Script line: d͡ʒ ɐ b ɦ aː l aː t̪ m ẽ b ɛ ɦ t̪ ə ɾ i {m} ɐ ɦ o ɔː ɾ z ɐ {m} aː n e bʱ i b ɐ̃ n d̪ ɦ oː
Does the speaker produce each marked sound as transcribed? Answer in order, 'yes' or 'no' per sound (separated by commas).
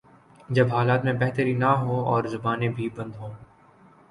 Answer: no, no